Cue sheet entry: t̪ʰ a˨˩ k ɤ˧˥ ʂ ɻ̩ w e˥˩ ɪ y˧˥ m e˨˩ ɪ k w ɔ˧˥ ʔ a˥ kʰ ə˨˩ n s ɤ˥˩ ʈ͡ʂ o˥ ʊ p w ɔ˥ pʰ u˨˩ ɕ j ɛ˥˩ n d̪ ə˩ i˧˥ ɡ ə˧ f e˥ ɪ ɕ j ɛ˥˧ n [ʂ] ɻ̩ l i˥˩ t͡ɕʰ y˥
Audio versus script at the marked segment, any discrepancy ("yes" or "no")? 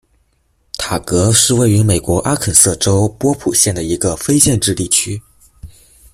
yes